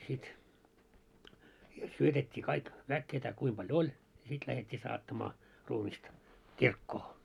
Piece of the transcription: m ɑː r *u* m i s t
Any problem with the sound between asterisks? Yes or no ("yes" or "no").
yes